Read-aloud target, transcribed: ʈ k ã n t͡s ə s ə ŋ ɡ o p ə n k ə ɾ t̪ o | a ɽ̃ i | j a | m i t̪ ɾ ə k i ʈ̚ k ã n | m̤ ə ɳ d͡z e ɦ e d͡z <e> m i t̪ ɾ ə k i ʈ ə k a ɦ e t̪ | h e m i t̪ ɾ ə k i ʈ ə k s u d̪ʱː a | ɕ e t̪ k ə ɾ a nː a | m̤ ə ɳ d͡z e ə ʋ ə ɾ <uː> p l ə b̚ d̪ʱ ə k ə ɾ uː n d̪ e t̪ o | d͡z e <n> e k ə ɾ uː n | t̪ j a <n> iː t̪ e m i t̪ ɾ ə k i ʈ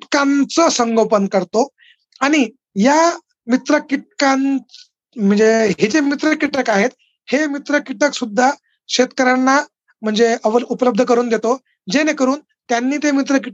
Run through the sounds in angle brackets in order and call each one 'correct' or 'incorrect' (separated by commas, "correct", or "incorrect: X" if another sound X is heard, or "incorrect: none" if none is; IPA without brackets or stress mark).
correct, incorrect: u, correct, incorrect: nː